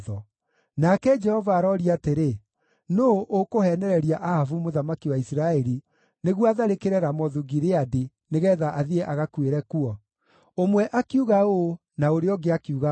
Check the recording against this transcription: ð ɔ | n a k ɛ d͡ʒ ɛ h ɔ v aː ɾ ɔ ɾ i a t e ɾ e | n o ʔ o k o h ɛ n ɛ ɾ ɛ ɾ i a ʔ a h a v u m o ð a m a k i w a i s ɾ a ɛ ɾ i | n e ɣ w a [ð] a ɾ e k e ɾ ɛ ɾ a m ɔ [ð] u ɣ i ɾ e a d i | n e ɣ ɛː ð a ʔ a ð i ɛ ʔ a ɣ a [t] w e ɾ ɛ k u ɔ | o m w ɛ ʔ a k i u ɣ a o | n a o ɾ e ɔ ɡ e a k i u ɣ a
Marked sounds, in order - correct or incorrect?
correct, correct, incorrect

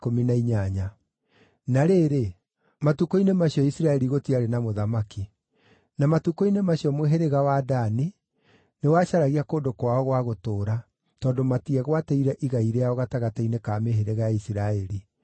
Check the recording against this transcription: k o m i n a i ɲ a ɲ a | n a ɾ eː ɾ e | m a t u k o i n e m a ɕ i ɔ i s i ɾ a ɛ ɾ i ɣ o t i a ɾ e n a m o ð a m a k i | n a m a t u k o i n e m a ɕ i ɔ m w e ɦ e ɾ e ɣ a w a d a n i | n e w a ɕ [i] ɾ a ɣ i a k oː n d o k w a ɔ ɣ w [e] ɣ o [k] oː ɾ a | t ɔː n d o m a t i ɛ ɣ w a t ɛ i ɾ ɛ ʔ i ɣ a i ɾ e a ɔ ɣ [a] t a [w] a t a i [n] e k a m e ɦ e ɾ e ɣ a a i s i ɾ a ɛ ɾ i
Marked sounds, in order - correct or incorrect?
incorrect, incorrect, incorrect, correct, incorrect, correct

